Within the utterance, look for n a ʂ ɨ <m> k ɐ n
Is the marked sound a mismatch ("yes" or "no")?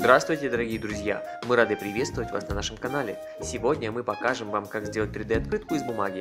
no